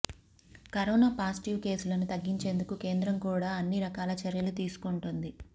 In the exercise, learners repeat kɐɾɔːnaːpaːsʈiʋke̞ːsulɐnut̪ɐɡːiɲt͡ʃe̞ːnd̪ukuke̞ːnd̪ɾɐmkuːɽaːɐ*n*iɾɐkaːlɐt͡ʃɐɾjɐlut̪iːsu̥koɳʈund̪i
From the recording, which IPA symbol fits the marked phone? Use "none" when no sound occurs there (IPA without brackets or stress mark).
nː